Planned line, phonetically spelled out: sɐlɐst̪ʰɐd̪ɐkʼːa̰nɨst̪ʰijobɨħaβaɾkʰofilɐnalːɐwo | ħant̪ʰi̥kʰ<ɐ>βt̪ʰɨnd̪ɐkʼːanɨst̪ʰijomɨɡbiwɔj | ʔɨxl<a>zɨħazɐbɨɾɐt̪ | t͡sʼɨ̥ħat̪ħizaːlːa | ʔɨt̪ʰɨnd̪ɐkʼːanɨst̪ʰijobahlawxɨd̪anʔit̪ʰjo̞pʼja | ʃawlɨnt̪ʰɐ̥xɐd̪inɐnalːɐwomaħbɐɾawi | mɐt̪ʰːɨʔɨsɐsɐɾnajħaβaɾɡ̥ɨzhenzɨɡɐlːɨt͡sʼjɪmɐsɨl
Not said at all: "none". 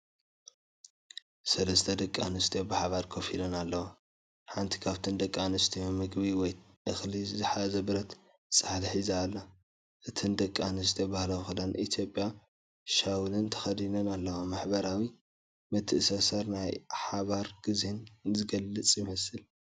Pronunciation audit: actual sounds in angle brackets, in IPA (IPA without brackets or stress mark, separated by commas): a, i